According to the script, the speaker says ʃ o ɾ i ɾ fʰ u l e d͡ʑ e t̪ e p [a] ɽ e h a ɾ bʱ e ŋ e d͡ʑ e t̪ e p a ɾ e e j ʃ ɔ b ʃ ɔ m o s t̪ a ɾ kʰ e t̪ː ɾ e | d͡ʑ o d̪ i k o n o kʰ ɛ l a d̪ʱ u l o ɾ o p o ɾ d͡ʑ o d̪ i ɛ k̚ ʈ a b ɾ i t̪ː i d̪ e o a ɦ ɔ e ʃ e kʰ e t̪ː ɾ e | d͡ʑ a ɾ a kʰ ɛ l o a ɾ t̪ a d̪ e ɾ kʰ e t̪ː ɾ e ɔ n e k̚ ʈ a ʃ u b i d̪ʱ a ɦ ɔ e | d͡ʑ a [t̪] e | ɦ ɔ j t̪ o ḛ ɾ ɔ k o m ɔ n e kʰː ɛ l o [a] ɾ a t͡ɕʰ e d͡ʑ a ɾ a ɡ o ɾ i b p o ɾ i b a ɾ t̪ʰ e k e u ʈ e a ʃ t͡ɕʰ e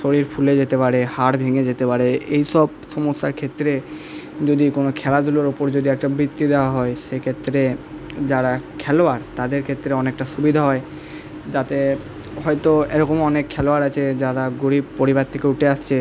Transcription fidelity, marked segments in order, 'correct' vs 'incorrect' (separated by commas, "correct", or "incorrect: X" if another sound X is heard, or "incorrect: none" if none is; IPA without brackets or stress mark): correct, correct, correct